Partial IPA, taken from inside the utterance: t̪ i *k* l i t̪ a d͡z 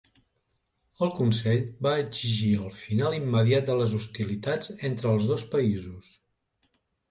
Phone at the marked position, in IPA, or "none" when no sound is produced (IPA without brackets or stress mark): none